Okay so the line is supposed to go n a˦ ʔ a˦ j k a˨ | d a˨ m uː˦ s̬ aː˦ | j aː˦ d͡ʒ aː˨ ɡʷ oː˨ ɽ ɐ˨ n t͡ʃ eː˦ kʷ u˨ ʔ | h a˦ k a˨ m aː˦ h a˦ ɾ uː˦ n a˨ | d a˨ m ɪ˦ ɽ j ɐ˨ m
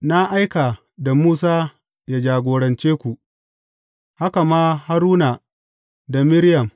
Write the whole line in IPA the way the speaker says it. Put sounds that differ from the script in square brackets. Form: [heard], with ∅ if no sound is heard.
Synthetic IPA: n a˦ ʔ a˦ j k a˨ | d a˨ m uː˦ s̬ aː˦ | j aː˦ d͡ʒ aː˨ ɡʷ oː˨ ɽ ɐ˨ n t͡ʃ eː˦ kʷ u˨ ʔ | h a˦ k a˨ m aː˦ h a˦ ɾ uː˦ n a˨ | d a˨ m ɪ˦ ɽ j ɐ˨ m